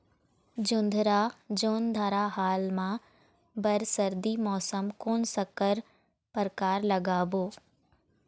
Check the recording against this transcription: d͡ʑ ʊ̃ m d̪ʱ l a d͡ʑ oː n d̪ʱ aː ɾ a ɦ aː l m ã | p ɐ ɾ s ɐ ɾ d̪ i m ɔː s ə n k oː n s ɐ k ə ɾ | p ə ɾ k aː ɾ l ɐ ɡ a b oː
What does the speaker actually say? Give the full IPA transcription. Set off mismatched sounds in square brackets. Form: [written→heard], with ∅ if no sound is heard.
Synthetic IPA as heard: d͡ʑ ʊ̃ [m→n] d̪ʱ [l→ɾ] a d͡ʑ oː n d̪ʱ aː ɾ a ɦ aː l m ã | [p→b] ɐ ɾ s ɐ ɾ d̪ i m ɔː s ə [n→m] k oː n s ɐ k ə ɾ | p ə ɾ k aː ɾ l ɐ ɡ a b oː